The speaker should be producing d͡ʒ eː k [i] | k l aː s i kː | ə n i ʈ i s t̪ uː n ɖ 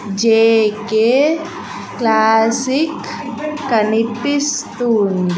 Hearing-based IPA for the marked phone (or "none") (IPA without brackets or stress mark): e